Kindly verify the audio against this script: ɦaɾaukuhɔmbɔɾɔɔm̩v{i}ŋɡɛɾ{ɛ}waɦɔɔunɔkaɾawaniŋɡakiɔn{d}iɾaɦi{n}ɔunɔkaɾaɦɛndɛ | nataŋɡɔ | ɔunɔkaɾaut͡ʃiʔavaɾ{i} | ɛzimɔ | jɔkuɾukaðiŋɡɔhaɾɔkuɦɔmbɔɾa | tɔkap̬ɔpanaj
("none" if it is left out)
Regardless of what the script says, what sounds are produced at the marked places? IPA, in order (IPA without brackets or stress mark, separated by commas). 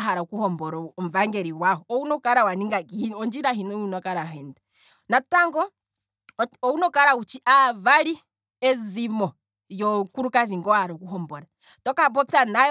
a, i, d͡ʒ, n, i